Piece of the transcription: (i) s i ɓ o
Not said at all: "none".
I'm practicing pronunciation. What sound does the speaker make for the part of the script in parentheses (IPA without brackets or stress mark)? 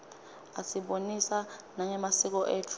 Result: a